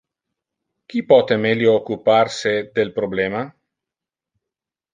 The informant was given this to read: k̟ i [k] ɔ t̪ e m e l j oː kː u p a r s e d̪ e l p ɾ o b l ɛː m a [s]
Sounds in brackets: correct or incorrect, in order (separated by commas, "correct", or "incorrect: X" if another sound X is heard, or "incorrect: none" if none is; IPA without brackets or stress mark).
incorrect: p, incorrect: none